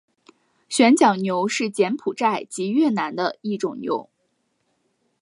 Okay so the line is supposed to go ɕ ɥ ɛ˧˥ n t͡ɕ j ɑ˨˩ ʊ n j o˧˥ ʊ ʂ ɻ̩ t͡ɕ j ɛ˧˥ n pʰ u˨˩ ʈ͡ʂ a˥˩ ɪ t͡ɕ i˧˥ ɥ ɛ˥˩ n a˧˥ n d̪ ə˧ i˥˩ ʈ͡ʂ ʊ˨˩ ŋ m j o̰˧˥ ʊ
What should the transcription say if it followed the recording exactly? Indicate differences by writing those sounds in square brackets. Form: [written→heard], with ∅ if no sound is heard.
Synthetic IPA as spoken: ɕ ɥ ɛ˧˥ n t͡ɕ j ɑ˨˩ ʊ n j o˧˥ ʊ ʂ ɻ̩ t͡ɕ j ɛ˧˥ n pʰ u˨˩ ʈ͡ʂ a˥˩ ɪ t͡ɕ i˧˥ ɥ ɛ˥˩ n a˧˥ n d̪ ə˧ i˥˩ ʈ͡ʂ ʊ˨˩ ŋ [m→n] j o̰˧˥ ʊ